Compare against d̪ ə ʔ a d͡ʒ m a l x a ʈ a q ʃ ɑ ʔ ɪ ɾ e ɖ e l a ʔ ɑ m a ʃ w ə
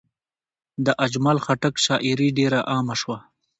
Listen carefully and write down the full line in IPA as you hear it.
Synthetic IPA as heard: d̪ ə ʔ a d͡ʒ m a l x a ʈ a k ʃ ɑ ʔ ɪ ɾ i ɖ e ɾ a ʔ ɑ m a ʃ w a